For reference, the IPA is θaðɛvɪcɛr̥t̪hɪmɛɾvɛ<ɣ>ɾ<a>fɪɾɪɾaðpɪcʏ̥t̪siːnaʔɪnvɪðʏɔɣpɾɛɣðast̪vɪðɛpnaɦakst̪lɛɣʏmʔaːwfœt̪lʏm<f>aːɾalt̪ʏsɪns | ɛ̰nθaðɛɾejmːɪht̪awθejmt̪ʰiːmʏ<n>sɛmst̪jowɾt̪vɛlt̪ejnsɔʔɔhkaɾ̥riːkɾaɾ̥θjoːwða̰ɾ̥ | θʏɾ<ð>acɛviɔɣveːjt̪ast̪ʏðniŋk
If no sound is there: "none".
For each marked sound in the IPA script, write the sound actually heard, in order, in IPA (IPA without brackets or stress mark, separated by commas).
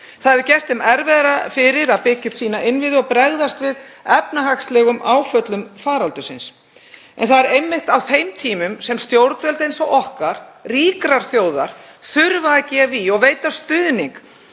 ð, a, f, m, v